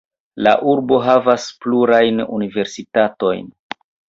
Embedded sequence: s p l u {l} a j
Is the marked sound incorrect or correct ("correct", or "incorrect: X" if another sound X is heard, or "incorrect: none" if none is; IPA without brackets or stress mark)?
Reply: incorrect: ɾ